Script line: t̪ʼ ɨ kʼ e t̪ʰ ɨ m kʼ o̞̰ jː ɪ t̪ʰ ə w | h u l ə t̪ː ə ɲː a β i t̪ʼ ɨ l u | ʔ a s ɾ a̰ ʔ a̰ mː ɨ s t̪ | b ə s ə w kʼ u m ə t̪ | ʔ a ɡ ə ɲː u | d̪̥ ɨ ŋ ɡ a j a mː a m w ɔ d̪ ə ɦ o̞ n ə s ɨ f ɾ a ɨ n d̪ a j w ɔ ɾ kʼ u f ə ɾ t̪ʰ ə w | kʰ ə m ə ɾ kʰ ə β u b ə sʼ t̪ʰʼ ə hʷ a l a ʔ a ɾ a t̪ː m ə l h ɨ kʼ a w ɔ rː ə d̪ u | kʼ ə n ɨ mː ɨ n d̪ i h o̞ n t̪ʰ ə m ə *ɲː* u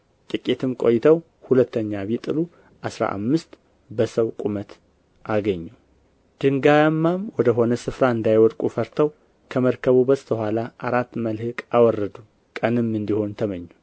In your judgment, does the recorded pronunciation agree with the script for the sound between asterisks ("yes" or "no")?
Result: yes